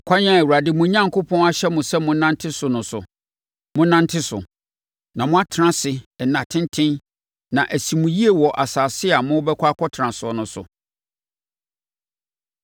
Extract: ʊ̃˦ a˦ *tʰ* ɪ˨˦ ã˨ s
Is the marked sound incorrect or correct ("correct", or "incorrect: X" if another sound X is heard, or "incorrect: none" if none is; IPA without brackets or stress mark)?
correct